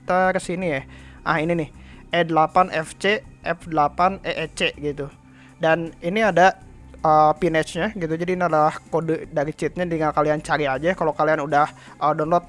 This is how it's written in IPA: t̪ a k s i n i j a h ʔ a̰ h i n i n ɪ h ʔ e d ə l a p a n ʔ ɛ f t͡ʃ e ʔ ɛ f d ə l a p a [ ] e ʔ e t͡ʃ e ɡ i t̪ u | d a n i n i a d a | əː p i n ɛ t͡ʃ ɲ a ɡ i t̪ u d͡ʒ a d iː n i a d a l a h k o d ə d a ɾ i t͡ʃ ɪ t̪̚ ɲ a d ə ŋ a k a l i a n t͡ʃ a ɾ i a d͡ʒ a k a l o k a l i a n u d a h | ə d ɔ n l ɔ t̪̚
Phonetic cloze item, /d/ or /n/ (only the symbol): n